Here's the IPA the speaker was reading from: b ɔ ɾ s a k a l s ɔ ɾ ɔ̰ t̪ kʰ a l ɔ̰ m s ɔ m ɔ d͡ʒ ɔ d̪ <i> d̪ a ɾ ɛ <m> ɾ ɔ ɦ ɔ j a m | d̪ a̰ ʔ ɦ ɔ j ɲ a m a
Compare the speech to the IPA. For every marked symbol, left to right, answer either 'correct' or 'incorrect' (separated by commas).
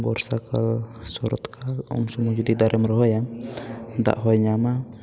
correct, correct